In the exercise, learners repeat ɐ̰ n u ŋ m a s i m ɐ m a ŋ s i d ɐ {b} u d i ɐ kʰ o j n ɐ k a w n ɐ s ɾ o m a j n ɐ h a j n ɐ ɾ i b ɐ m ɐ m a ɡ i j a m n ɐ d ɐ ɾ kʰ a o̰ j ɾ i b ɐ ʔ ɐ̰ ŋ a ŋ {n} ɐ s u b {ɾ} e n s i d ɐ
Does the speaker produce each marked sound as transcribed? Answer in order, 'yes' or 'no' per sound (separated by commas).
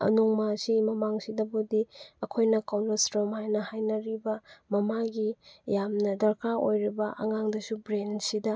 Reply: yes, no, yes